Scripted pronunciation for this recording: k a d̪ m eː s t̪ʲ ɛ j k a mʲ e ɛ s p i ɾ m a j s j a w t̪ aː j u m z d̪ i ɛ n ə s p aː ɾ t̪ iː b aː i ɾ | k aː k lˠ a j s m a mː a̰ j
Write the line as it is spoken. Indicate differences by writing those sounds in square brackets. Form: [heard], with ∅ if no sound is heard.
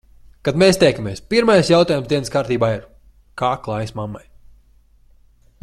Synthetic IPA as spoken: k a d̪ m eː s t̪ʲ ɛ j k a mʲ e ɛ s p i ɾ m a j s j a w t̪ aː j u m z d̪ i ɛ n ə s [k] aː ɾ t̪ iː b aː i ɾ | k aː k lˠ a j s m a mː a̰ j